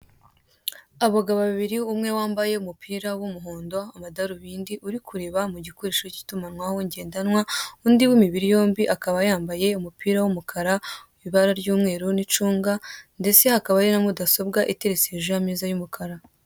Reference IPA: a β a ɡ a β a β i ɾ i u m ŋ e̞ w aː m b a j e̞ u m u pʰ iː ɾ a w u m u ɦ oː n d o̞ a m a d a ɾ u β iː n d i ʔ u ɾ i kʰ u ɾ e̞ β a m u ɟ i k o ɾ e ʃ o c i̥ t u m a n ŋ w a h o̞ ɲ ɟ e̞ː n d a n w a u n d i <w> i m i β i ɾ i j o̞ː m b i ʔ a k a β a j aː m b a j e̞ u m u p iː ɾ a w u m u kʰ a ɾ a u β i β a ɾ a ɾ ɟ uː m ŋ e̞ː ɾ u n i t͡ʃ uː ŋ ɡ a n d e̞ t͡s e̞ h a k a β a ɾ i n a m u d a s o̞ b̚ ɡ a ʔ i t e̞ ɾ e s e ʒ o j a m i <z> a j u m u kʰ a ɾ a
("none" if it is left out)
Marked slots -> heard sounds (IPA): w, z

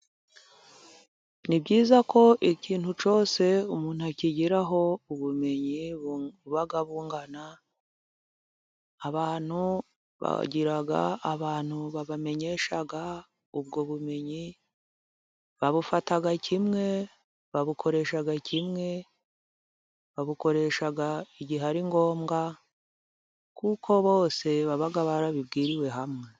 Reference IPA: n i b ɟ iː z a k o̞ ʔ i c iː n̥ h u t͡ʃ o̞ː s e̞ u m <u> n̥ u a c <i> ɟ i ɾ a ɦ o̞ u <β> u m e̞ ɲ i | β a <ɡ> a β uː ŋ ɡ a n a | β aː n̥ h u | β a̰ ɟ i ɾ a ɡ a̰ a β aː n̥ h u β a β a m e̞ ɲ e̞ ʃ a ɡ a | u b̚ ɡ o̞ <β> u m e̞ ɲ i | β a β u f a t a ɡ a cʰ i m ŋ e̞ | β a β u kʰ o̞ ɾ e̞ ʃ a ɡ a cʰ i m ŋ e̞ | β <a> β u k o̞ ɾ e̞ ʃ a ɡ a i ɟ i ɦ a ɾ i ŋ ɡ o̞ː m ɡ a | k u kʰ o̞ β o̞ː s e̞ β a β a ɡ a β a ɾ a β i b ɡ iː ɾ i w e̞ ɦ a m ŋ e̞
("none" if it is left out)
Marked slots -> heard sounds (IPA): uː, i, β, ɡ, β, a

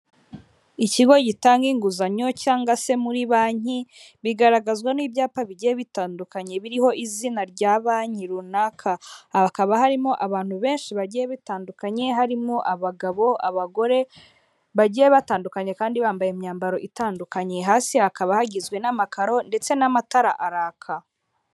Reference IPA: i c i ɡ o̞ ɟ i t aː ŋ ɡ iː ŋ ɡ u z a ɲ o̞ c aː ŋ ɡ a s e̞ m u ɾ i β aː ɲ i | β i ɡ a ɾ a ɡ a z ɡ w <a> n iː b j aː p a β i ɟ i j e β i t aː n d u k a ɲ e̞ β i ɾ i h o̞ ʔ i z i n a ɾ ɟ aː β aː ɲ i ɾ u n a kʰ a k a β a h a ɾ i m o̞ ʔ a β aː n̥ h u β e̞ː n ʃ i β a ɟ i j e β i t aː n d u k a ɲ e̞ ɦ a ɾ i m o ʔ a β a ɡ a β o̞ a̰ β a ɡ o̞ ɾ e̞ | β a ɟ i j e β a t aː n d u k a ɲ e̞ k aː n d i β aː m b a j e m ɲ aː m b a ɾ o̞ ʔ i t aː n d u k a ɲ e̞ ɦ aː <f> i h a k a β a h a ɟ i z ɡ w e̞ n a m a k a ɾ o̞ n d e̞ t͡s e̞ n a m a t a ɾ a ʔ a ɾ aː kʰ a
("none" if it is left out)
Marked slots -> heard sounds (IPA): a, s

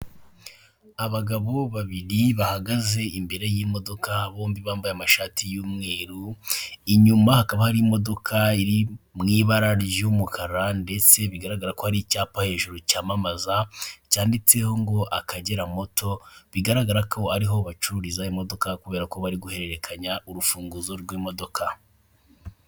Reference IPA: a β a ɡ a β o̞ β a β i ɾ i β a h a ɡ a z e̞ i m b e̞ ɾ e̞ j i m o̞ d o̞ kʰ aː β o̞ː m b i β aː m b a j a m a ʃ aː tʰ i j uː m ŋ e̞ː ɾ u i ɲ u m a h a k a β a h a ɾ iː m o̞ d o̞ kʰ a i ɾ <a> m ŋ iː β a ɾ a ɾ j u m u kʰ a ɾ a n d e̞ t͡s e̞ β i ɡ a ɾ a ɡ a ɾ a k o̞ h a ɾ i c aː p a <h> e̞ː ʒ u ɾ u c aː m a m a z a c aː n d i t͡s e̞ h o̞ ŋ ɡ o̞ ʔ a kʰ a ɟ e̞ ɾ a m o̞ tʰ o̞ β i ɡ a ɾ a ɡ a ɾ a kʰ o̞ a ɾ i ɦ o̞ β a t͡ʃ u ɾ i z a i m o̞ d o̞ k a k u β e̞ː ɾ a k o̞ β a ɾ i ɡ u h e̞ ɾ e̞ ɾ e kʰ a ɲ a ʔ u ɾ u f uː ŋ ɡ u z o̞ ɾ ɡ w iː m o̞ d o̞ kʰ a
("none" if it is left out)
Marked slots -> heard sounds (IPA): i, h

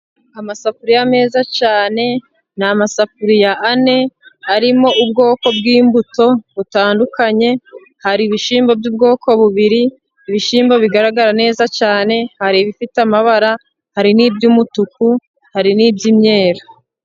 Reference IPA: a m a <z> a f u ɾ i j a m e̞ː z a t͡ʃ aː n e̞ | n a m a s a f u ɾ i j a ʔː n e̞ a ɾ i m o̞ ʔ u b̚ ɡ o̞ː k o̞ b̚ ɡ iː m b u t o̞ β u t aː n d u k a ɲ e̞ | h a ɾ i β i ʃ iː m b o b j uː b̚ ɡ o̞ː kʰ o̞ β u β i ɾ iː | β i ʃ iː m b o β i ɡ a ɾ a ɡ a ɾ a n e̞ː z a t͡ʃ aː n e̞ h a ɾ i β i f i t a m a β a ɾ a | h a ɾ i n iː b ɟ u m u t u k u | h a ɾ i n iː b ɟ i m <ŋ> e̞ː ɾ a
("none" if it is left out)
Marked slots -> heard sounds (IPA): s, ɲ

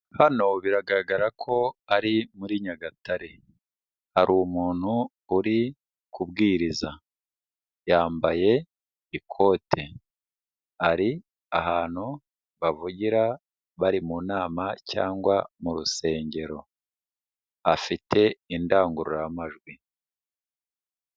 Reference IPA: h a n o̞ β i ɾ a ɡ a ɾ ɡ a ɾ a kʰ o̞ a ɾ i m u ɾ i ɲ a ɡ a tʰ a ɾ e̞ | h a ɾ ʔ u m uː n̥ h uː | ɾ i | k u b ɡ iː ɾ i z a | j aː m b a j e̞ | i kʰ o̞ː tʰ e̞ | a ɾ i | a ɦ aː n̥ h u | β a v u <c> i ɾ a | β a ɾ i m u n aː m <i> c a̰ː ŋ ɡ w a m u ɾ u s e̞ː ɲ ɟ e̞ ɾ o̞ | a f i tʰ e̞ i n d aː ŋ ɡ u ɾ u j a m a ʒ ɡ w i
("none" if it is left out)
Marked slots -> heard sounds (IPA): ɟ, a

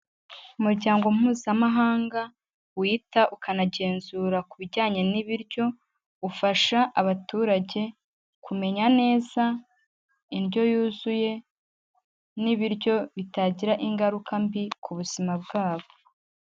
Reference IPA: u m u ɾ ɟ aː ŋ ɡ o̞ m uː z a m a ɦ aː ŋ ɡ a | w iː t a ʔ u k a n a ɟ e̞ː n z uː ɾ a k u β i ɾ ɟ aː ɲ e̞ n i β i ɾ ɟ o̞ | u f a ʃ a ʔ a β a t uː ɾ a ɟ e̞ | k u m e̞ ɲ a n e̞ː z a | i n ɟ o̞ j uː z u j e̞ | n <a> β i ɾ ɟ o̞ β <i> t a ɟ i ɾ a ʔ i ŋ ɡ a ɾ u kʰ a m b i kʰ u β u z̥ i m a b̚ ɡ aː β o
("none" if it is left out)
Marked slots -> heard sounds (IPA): i, i

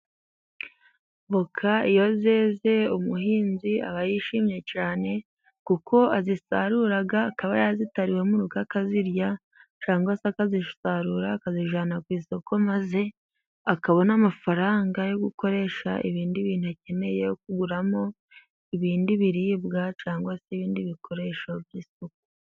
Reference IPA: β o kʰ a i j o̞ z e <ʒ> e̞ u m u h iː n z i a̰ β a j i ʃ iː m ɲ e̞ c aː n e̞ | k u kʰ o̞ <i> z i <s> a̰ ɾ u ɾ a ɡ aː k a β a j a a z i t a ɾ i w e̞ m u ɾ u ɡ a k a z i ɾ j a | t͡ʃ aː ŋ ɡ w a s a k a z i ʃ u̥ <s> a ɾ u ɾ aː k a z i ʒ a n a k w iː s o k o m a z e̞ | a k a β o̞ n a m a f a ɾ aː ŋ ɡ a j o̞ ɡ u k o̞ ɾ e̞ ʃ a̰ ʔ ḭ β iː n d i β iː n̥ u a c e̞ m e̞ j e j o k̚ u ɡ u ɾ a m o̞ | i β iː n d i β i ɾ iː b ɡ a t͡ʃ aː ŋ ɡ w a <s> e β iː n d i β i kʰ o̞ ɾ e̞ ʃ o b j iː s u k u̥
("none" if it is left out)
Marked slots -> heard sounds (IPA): z, a, s, s, s

